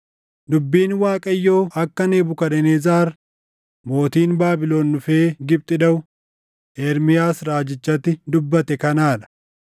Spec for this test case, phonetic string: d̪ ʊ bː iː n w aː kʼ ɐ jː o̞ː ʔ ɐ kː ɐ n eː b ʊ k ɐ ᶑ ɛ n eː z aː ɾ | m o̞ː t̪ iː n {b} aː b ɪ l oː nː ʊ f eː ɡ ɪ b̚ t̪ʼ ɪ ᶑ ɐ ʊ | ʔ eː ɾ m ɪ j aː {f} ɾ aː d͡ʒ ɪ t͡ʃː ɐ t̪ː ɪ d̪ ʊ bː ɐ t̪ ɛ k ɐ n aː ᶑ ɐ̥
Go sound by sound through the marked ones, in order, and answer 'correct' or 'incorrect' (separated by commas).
correct, incorrect